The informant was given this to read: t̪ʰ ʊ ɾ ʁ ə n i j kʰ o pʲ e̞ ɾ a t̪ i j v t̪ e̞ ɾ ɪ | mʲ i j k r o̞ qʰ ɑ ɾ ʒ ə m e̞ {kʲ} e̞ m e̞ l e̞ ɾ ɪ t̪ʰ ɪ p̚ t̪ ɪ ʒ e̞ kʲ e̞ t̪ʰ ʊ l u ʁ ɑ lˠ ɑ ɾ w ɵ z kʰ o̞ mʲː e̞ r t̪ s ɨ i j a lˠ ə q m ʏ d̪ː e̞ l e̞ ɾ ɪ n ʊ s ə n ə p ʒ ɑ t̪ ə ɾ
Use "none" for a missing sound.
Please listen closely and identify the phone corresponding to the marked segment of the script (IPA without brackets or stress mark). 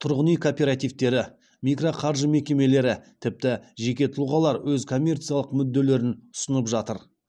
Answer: kʲ